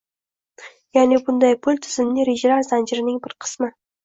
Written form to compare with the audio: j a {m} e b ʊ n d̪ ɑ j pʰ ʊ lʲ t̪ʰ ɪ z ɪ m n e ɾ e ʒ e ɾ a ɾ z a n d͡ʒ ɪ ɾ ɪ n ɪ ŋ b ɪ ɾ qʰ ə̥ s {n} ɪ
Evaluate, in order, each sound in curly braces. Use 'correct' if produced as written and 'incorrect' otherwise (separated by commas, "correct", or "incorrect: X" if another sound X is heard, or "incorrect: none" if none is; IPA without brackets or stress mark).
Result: incorrect: n, incorrect: m